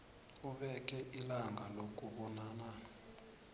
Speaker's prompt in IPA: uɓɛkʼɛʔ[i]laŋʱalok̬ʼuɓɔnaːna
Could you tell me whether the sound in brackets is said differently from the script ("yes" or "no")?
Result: no